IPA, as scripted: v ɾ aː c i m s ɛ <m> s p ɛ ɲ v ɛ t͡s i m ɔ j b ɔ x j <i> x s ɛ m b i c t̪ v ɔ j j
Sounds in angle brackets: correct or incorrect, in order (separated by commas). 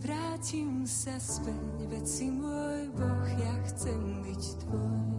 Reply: incorrect, incorrect